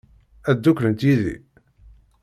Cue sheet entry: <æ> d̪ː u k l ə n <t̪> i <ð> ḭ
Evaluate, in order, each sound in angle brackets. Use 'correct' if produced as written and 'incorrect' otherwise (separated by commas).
correct, correct, correct